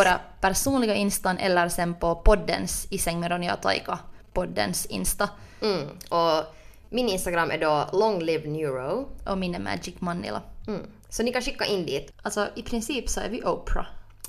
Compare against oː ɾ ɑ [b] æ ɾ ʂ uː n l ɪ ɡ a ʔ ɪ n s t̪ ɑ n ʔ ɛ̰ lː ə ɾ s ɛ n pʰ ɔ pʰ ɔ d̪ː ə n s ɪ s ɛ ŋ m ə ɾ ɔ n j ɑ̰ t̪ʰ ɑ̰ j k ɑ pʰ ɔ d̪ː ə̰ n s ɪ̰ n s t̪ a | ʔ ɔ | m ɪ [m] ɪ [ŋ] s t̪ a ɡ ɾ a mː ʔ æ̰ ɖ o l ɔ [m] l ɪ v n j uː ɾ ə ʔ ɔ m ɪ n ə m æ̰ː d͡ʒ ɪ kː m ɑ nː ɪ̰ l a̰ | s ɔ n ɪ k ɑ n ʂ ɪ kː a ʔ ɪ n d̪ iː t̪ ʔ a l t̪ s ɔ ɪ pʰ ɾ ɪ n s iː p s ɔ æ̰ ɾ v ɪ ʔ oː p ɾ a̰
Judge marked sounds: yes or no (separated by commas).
no, no, no, no